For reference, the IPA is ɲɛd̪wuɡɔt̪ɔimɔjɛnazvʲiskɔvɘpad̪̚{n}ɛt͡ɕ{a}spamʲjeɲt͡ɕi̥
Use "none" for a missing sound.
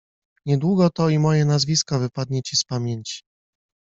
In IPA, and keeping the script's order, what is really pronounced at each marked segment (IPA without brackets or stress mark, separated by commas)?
ɲ, i